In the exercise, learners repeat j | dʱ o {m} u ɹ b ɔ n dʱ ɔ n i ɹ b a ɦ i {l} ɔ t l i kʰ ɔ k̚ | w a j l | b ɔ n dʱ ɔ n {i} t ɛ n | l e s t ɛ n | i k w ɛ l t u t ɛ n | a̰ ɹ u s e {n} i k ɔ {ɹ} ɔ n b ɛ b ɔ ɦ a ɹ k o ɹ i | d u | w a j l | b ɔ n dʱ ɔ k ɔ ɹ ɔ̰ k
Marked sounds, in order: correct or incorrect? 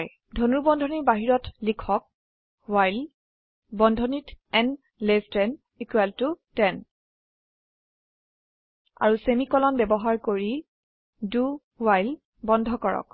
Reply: incorrect: n, incorrect: ɹ, correct, incorrect: m, incorrect: l

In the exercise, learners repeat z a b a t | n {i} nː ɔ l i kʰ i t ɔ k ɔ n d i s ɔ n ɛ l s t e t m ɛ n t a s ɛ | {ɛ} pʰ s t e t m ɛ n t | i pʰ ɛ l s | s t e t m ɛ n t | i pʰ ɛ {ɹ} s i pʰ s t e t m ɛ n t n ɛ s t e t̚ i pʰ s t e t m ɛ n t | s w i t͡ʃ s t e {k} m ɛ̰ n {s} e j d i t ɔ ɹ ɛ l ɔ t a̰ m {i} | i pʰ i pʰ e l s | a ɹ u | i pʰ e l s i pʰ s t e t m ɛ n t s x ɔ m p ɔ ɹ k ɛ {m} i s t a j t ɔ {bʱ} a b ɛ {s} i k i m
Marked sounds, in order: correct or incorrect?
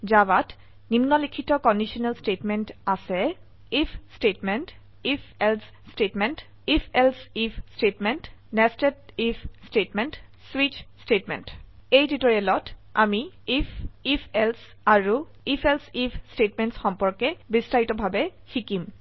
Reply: correct, incorrect: i, incorrect: l, incorrect: t, incorrect: t, correct, incorrect: b, correct, incorrect: x

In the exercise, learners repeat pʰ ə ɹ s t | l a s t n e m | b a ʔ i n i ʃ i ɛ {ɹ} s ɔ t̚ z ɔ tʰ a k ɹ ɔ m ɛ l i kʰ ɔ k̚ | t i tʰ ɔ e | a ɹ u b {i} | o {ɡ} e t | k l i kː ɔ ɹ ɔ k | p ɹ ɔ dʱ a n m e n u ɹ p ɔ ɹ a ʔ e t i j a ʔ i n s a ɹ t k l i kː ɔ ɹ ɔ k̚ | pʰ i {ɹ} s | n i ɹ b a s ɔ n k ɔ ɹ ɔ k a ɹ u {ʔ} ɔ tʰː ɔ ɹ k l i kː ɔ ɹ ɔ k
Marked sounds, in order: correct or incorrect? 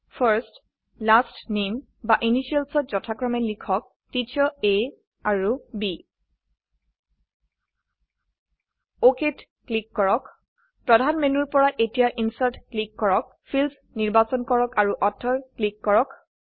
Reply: incorrect: l, correct, incorrect: k, incorrect: l, correct

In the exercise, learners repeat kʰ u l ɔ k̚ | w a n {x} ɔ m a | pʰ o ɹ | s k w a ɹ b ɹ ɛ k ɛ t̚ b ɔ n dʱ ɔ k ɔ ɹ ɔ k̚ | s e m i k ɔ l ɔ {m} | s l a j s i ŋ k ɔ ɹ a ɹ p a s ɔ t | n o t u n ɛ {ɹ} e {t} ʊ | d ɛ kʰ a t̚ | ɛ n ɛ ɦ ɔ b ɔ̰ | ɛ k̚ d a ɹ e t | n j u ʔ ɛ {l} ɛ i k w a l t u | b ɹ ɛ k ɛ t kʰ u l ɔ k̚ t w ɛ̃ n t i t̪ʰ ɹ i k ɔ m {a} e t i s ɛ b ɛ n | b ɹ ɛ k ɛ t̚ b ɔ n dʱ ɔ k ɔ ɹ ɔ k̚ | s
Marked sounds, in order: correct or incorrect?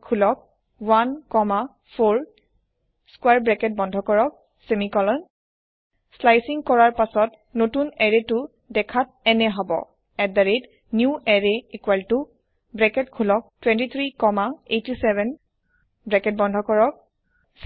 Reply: incorrect: k, incorrect: n, correct, correct, incorrect: ɹ, correct

